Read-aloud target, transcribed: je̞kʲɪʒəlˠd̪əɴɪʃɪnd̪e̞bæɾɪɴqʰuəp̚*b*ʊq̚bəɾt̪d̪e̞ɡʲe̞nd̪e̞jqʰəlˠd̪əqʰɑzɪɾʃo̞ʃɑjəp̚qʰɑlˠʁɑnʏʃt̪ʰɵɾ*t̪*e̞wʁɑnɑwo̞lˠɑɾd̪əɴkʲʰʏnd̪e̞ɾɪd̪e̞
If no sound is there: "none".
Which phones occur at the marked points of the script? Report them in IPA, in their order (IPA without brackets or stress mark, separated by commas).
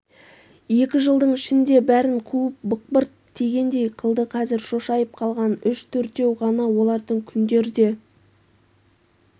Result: b, t̪